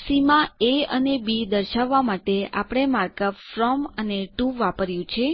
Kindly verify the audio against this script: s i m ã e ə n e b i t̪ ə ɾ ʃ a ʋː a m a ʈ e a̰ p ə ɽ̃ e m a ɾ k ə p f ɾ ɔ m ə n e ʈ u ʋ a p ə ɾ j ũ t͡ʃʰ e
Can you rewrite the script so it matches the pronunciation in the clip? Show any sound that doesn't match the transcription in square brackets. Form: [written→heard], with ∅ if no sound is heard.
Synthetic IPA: s i m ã e ə n e b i [t̪→d̪] ə ɾ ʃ a ʋː a m a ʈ e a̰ p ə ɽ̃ e m a ɾ k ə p f ɾ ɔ m ə n e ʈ u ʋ a p ə ɾ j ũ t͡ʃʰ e